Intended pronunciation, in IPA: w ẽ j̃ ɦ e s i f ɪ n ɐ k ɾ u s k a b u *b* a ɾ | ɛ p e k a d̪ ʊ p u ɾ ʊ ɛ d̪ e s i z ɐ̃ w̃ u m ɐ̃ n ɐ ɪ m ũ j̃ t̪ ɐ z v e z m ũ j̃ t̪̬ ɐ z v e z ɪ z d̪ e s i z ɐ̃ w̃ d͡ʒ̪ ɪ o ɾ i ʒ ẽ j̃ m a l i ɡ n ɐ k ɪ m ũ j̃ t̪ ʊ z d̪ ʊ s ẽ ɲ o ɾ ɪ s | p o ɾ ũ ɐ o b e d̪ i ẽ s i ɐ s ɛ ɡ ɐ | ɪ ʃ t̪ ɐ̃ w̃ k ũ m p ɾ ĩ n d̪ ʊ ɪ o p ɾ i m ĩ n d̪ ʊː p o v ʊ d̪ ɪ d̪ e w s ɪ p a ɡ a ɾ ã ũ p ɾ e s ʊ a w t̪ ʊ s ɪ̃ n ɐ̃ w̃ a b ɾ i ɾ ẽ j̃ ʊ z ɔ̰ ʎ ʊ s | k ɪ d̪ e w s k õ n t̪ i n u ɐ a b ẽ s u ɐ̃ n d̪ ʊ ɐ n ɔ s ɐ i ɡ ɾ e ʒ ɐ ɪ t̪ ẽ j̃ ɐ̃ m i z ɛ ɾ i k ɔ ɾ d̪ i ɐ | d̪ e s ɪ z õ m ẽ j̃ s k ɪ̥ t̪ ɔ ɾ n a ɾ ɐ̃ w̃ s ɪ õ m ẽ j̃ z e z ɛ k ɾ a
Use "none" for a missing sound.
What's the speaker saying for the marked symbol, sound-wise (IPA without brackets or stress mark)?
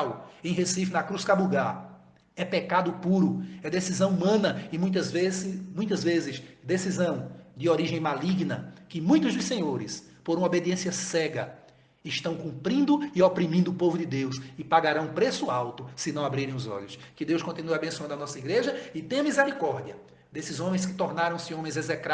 ɡ